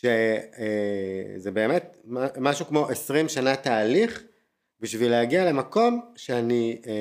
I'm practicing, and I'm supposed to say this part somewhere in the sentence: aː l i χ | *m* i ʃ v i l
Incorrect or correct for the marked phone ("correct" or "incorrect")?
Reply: incorrect